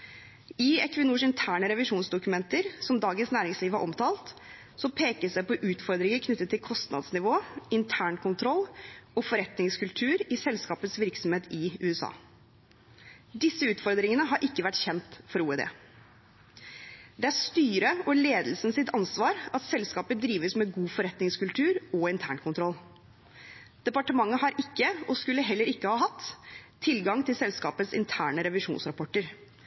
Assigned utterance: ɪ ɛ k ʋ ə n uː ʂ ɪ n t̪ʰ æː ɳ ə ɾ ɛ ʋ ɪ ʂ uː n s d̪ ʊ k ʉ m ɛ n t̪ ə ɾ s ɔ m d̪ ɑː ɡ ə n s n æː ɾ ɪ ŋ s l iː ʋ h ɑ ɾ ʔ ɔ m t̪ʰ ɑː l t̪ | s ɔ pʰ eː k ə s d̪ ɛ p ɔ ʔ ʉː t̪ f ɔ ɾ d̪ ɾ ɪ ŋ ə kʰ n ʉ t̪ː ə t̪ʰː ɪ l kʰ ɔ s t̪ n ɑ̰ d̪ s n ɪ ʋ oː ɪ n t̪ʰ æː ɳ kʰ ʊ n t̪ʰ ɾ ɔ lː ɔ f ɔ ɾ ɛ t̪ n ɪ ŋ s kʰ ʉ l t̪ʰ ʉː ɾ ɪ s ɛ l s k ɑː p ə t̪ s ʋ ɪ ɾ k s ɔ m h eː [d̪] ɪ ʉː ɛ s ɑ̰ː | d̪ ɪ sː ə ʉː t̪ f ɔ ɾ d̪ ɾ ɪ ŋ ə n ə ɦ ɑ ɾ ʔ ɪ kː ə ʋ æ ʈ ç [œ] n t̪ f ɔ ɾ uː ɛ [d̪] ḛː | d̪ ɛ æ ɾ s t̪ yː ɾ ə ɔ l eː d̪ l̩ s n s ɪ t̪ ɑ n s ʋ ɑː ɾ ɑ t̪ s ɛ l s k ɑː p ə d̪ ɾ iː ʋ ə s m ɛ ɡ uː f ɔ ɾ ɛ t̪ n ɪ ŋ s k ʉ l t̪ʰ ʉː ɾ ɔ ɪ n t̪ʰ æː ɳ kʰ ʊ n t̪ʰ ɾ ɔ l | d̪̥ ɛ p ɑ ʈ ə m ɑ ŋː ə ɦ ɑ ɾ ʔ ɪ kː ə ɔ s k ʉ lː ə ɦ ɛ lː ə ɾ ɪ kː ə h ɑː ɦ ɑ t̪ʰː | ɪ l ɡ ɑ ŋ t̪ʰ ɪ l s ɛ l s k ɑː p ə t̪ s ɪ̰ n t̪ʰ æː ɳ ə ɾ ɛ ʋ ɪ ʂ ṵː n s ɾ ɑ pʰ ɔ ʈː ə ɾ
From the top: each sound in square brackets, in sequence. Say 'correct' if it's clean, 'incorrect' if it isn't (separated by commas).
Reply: incorrect, incorrect, correct